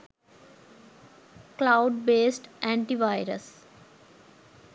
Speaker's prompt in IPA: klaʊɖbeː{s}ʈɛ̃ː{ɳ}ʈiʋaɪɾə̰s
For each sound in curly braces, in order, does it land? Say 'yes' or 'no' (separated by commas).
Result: yes, yes